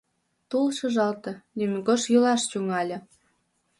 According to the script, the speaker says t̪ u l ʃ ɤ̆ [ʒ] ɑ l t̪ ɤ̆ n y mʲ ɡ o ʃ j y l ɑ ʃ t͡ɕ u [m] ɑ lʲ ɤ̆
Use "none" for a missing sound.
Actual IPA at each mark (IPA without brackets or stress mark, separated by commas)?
ʒ, ŋ